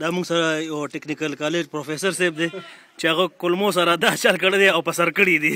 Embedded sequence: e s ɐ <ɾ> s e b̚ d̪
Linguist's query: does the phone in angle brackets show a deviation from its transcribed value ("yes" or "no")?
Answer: no